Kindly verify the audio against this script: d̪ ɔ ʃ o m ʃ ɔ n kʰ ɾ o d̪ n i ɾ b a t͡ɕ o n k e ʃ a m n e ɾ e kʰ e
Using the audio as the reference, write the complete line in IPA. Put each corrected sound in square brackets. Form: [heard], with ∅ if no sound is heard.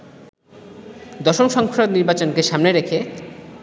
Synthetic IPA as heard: d̪ ɔ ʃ o m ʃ ɔ [ŋ] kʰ ɾ o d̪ n i ɾ b a t͡ɕ o n k e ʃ a m n e ɾ e kʰ e